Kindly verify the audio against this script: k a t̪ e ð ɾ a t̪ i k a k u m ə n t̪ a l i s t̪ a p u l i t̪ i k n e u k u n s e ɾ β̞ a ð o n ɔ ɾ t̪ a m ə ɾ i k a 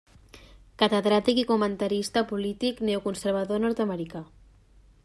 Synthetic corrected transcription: k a t̪ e ð ɾ a t̪ i k i k u m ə n t̪ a ɾ i s t̪ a p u l i t̪ i k n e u k u n s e ɾ β̞ a ð o n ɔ ɾ t̪ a m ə ɾ i k a

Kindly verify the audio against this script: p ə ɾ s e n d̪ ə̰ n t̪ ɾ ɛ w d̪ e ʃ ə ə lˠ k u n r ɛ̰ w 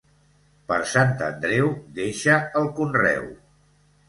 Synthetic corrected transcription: p ə ɾ s a n t̪ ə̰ n d̪ ɾ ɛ w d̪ e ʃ ə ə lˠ k u n r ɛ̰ w

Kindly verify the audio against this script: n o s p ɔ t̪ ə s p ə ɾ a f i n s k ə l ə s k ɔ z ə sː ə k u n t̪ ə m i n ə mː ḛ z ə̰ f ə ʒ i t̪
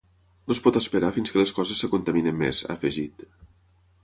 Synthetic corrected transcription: n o s p ɔ t̪ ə s p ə ɾ a f i n s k ə l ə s k ɔ z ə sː ə k u n t̪ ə m i n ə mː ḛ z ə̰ f ə ʒ i t̪

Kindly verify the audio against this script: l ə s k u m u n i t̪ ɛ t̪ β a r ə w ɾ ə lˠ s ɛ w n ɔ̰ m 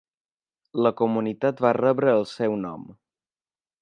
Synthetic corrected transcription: l ə k u m u n i t̪ a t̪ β a r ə β ɾ əː lˠ s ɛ w n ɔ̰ m

